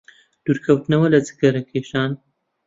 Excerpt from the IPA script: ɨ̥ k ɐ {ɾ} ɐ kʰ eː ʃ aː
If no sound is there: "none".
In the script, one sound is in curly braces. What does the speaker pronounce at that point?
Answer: ɾ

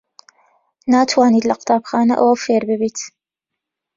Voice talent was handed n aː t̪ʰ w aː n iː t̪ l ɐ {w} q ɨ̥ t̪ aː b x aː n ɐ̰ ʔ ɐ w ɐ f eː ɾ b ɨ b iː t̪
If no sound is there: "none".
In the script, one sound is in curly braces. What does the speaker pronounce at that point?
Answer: none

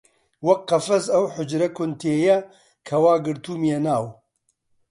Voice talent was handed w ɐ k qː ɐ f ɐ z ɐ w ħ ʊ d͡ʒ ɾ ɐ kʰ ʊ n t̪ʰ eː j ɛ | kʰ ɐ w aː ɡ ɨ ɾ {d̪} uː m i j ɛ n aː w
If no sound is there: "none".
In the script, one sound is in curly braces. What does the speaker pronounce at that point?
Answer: t̪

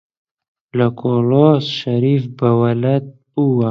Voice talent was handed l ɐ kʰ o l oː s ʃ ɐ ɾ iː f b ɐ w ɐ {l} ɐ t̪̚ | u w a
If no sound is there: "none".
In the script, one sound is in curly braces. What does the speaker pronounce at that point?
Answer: l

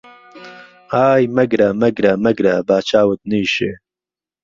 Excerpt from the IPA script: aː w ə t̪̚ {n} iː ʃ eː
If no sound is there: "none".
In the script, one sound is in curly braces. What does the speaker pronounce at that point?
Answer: n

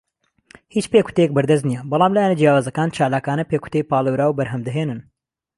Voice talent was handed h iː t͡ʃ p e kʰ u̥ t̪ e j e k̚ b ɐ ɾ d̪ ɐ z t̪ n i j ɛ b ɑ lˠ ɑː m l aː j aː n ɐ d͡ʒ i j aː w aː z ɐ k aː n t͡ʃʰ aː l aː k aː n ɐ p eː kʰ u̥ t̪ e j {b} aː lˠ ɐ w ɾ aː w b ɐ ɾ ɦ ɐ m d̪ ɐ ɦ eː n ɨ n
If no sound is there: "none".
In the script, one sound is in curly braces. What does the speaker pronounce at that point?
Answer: p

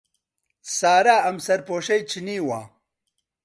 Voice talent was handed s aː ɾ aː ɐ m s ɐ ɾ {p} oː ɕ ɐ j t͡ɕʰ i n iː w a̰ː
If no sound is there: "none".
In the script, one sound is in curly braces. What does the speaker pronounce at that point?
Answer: p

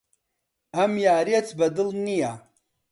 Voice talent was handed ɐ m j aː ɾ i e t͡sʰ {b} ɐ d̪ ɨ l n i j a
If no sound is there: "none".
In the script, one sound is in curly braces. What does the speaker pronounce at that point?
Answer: b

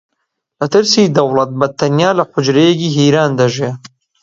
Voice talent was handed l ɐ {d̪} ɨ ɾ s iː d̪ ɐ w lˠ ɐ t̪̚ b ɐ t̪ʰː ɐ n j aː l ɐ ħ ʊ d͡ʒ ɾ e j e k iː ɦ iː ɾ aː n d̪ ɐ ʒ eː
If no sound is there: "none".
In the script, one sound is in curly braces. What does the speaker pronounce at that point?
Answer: t̪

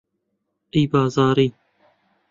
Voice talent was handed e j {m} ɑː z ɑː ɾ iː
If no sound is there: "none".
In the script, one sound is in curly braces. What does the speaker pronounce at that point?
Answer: b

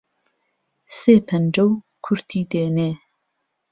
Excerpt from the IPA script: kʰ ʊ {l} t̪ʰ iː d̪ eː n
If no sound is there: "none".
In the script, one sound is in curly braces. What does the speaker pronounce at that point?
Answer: ɾ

